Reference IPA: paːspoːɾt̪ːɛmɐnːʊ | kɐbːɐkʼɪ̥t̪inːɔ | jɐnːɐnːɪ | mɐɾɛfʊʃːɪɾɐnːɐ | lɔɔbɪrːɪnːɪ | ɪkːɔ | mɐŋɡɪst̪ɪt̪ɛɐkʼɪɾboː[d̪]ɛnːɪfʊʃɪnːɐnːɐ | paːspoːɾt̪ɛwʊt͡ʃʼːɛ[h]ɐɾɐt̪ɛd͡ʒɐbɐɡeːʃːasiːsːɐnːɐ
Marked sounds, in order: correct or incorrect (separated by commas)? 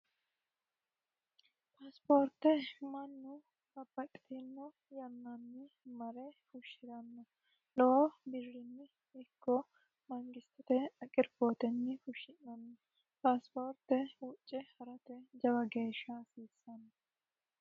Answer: incorrect, correct